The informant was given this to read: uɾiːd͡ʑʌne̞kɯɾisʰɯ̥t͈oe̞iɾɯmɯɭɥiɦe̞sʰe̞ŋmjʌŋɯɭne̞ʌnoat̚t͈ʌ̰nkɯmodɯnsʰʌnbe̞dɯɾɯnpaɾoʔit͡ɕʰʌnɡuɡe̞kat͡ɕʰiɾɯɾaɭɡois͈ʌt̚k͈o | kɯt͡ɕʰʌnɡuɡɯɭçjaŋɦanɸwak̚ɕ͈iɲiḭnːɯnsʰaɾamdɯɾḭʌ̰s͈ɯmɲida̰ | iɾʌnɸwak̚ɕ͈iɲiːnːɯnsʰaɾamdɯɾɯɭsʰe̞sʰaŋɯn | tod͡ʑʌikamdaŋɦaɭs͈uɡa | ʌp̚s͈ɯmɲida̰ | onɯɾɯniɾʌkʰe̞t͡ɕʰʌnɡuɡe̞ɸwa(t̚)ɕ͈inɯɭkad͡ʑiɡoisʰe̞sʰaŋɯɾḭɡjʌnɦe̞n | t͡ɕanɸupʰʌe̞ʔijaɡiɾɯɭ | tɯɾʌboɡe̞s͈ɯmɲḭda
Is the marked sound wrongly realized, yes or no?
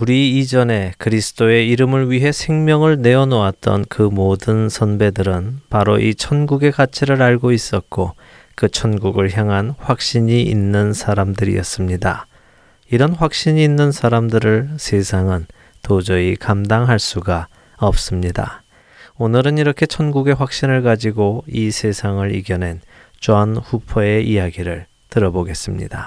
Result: yes